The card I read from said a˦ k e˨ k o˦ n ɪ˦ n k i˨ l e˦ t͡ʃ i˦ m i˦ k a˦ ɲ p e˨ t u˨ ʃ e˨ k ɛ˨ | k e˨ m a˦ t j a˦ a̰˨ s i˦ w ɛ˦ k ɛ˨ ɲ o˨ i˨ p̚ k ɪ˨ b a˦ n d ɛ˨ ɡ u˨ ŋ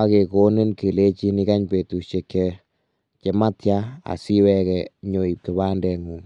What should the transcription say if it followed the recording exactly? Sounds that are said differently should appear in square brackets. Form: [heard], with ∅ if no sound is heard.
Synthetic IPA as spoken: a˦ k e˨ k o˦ n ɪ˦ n k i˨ l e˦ t͡ʃ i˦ [n] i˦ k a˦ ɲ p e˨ t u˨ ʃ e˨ k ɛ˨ | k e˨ m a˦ t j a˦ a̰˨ s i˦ w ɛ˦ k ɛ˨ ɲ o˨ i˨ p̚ k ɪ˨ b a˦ n d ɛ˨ [ŋ] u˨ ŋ